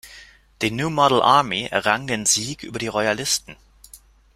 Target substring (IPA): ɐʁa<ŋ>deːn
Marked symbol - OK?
yes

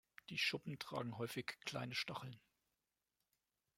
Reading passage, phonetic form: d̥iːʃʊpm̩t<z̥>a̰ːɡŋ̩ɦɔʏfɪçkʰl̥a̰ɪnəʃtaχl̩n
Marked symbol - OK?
no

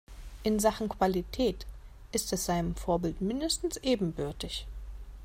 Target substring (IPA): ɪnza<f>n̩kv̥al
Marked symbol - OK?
no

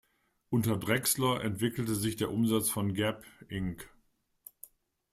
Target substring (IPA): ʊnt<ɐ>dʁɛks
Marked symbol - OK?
yes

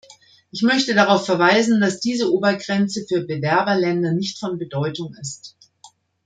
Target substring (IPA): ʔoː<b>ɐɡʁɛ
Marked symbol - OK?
yes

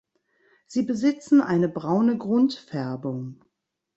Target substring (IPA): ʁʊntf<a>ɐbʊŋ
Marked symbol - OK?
no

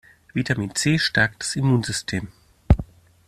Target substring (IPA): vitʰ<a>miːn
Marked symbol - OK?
yes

